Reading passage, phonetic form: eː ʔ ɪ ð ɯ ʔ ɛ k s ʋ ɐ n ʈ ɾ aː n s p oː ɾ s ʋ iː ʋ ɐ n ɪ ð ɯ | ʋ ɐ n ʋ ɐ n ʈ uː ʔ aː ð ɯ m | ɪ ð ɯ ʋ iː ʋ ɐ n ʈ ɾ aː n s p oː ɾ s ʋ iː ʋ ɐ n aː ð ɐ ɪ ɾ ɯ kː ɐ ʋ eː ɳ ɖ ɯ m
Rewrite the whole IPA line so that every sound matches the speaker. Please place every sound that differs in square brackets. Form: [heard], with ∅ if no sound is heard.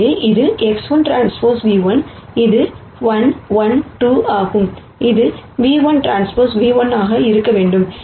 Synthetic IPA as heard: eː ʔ ɪ ð ɯ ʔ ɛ k s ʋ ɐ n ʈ ɾ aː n s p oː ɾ s ʋ iː ʋ ɐ n ɪ ð ɯ | ʋ ɐ n ʋ ɐ n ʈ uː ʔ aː [ɣ] ɯ m | ɪ ð ɯ ʋ iː ʋ ɐ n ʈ ɾ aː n s p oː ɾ s ʋ iː ʋ ɐ n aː [ɣ] ɐ ɪ ɾ ɯ kː ɐ ʋ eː ɳ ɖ ɯ m